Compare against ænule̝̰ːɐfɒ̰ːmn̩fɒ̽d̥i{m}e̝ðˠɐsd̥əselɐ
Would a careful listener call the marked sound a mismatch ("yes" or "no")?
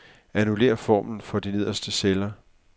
yes